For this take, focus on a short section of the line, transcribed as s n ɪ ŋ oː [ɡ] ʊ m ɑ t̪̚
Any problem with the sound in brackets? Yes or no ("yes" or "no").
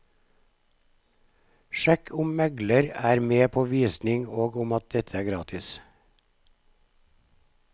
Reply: no